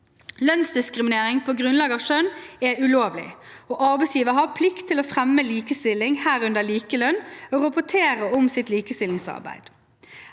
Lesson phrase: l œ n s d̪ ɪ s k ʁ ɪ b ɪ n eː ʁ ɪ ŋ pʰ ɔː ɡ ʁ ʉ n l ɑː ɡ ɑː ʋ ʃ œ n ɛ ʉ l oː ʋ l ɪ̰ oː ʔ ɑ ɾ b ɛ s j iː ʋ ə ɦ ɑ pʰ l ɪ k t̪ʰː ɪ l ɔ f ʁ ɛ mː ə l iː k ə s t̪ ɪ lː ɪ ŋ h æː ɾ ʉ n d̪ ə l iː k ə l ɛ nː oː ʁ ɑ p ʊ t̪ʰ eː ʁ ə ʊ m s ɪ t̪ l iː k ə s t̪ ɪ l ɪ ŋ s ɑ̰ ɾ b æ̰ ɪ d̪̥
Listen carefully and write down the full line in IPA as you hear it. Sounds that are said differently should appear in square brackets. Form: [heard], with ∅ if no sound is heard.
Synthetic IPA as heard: l œ n s d̪ ɪ s k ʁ ɪ [m] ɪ n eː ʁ ɪ ŋ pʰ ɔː ɡ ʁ ʉ n l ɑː ɡ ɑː ʋ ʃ œ n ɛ ʉ l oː ʋ l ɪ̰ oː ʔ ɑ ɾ b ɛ s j iː ʋ ə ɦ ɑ pʰ l ɪ k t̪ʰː ɪ l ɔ f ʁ ɛ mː ə l iː k ə s t̪ ɪ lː ɪ ŋ h æː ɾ ʉ n d̪ ə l iː k ə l [œ] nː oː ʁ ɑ p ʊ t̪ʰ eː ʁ ə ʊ m s ɪ t̪ l iː k ə s t̪ ɪ l ɪ ŋ s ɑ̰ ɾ b æ̰ ɪ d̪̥